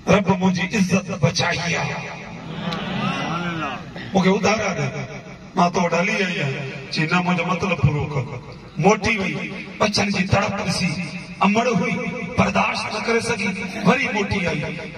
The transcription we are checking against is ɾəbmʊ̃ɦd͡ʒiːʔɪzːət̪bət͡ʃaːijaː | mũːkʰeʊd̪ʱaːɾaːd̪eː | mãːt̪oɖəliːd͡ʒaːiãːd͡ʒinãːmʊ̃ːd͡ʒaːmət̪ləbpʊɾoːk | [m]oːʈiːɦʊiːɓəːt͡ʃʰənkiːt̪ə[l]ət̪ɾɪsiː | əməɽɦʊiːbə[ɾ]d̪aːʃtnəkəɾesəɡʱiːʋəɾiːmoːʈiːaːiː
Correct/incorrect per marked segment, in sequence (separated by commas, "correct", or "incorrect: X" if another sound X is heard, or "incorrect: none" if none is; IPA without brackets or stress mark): correct, incorrect: ɽ, correct